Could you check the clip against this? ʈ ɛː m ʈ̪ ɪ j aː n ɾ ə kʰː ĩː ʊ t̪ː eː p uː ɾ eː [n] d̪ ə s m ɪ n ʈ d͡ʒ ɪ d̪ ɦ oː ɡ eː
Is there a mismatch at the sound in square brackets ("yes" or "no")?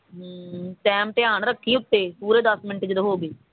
yes